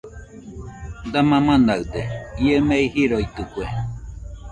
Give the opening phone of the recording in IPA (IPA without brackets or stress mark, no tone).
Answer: d̪